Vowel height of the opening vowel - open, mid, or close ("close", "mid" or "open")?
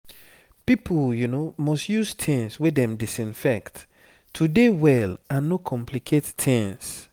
close